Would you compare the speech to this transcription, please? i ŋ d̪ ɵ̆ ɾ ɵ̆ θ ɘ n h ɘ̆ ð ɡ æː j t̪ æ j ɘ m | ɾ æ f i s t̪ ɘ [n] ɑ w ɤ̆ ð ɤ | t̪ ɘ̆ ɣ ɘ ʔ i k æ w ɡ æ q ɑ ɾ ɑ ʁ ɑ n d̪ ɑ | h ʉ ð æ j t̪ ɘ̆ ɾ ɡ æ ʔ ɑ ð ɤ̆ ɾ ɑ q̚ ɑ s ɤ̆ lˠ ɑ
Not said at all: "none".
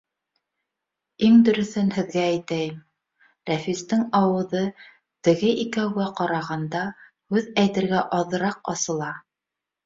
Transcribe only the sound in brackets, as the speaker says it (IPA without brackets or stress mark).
ŋ